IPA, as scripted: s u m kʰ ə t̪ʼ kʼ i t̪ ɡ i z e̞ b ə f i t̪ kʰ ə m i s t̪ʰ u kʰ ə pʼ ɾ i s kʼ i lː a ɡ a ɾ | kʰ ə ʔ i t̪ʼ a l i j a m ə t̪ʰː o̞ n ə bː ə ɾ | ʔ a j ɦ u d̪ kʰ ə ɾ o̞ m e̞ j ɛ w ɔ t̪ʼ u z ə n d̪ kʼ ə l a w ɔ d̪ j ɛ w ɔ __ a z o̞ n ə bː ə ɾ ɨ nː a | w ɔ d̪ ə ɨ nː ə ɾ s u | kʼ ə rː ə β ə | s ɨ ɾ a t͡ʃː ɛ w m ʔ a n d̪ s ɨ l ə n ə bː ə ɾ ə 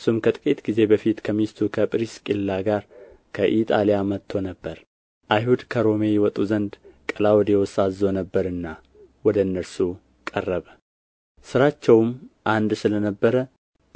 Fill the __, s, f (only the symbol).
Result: s